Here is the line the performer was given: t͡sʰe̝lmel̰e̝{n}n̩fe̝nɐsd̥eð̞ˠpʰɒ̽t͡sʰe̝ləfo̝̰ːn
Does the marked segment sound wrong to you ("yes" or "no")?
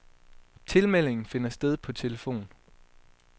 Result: yes